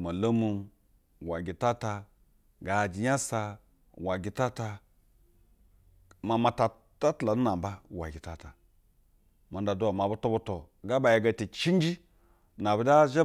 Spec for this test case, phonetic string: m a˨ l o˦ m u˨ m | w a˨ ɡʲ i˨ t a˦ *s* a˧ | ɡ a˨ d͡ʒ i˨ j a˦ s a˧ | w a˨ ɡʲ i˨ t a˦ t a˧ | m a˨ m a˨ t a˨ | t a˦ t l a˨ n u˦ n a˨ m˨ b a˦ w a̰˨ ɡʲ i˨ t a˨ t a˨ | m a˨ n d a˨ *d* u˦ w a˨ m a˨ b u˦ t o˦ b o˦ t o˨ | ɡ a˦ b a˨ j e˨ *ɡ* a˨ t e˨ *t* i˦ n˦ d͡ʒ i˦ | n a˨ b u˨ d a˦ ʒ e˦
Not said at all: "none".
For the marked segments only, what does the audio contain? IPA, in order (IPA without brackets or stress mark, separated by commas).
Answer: t, d, ɡ, t͡ʃ